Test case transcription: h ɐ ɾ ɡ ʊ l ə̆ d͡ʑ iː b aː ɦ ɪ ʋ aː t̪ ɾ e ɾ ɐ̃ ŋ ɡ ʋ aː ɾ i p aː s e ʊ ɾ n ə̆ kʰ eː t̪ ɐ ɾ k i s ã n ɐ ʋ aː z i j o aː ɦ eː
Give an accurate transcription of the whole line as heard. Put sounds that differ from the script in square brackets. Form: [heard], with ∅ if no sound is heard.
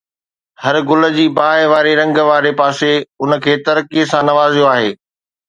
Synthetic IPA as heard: h ɐ ɾ ɡ ʊ l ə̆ d͡ʑ iː b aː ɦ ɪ ʋ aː [∅] ɾ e ɾ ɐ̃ ŋ ɡ ʋ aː ɾ [e] p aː s e ʊ [∅] n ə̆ kʰ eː t̪ ɐ ɾ k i s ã n ɐ ʋ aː z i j o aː ɦ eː